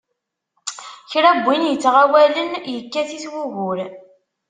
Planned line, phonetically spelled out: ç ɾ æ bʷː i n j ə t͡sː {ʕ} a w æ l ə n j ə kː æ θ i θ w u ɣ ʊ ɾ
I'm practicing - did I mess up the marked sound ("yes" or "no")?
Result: yes